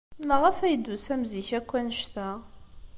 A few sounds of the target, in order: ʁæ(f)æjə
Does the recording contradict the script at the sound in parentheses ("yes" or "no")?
no